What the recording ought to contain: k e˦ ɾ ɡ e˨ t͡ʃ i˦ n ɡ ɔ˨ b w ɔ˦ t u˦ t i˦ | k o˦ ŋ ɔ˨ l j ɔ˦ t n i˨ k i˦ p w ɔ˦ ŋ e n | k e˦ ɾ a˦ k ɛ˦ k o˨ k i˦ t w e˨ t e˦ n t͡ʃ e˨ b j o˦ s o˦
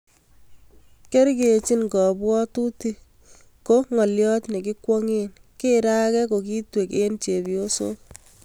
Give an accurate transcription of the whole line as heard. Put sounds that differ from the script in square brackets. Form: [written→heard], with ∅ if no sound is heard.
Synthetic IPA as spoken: k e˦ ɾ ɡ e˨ t͡ʃ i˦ n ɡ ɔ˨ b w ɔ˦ t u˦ t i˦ | k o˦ ŋ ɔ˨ l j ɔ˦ t n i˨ k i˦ [p→k] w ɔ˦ ŋ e n | k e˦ ɾ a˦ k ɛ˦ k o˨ k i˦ t w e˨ [t→k] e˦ n t͡ʃ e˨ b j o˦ s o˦